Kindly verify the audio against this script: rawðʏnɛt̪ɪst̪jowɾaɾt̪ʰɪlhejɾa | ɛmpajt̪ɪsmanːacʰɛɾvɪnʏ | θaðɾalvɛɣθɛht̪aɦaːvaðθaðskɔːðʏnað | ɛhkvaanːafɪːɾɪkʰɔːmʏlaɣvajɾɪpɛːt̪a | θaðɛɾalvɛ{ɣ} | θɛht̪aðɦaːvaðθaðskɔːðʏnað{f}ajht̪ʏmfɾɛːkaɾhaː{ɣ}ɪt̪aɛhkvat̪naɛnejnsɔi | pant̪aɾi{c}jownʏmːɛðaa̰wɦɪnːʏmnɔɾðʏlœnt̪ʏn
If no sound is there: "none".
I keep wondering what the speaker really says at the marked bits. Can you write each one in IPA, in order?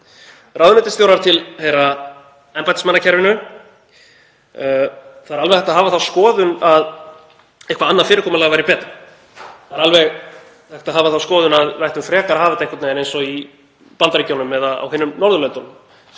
ɣ, v, v, c

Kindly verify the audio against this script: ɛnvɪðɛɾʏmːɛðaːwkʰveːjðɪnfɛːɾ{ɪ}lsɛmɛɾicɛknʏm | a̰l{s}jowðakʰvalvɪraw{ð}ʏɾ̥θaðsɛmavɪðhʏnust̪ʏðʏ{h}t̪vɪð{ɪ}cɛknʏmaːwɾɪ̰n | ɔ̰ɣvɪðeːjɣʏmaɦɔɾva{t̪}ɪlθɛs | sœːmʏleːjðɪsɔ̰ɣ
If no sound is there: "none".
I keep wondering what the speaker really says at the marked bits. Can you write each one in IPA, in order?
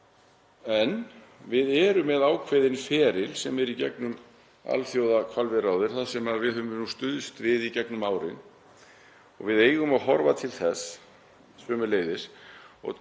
ɪ, θ, ð, s, i, t̪ʰ

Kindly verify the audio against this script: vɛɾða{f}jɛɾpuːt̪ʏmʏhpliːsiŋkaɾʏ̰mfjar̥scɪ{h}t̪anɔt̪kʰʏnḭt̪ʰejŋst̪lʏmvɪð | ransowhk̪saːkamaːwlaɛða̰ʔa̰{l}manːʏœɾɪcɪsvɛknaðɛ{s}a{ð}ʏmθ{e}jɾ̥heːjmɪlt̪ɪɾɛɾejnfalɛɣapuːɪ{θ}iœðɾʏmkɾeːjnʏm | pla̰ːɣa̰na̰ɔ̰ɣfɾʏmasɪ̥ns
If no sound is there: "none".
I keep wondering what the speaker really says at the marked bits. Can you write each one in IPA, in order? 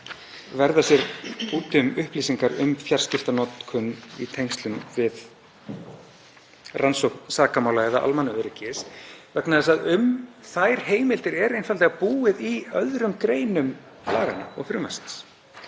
s, f, l, s, ð, a, ð

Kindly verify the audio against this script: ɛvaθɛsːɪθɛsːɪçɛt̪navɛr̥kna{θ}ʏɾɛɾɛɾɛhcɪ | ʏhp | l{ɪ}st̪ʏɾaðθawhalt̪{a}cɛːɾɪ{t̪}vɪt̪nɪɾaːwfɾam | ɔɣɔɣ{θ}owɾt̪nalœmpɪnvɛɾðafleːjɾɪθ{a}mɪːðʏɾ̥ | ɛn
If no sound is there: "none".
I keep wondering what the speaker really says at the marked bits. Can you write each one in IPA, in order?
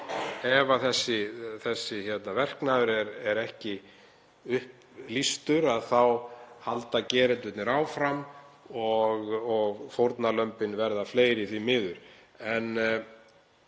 ð, i, a, t̪, f, i

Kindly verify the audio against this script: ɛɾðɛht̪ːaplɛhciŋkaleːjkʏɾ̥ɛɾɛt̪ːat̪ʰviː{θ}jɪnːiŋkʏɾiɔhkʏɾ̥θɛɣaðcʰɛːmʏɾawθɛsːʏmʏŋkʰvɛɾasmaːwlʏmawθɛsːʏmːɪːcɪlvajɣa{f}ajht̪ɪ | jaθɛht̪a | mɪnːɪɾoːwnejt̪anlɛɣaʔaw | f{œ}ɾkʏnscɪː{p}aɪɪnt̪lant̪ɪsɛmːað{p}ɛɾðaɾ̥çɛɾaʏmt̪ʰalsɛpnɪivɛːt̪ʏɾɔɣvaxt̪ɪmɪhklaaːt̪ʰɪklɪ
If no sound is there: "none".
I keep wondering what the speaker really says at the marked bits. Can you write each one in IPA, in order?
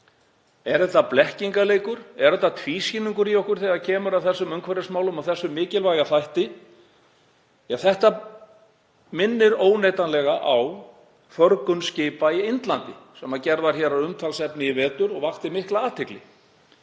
s, θ, œ, p, c

